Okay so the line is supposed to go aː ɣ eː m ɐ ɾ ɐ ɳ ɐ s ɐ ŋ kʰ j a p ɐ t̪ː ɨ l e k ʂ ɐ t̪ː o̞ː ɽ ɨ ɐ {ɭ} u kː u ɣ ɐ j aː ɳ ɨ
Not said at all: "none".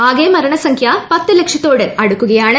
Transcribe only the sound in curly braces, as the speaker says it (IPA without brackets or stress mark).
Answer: ɽ